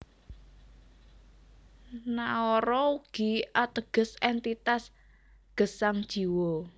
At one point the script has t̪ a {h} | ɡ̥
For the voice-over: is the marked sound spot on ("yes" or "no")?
no